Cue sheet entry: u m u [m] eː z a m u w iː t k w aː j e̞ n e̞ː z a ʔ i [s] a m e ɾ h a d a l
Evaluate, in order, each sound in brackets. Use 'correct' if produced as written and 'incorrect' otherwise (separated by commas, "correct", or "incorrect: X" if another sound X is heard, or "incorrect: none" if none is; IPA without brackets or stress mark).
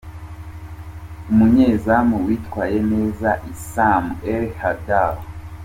incorrect: ɲ, correct